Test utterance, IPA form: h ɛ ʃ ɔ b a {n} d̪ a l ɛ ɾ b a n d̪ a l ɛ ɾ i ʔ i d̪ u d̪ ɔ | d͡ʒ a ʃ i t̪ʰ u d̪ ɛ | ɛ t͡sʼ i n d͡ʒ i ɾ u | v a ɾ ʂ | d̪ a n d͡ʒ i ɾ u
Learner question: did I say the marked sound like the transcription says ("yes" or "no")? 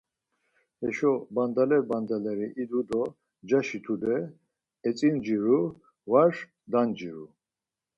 yes